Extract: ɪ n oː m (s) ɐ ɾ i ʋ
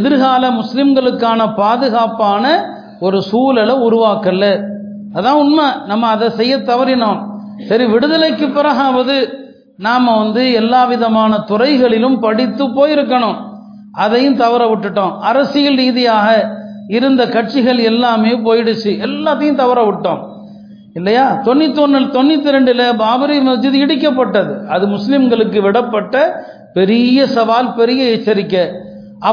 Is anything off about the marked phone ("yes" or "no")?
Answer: no